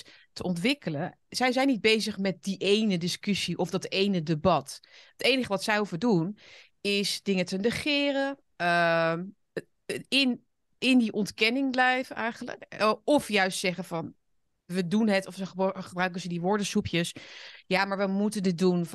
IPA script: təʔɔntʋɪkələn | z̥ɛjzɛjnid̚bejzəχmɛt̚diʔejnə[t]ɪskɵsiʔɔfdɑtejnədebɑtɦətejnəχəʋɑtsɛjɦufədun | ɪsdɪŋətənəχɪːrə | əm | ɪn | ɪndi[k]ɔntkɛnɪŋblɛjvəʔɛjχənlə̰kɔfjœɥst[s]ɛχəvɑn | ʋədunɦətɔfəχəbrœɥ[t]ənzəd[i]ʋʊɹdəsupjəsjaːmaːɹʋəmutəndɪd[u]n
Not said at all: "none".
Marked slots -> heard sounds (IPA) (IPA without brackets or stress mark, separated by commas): d, ʔ, s, k, i, u